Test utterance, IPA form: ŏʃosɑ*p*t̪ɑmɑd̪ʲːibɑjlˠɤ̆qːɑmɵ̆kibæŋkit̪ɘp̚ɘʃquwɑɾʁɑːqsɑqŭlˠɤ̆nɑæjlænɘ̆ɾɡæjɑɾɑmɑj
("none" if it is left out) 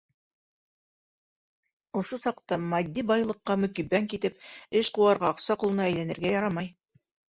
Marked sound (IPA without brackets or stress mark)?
q